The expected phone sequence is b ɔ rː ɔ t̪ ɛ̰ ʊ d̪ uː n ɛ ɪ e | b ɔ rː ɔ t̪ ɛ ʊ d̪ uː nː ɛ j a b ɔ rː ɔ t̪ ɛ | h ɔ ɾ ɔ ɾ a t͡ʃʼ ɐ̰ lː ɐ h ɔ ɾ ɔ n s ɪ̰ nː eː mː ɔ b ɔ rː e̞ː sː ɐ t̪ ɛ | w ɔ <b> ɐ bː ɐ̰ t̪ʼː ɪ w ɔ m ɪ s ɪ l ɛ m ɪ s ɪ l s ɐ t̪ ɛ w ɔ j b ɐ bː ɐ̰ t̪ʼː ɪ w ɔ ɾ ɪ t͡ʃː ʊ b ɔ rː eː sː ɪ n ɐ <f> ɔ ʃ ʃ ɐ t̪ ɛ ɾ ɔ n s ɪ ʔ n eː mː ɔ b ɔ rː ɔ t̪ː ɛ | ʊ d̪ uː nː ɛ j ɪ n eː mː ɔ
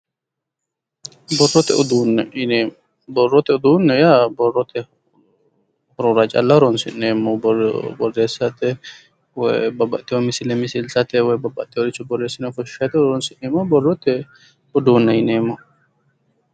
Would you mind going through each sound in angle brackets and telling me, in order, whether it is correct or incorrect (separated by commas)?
correct, correct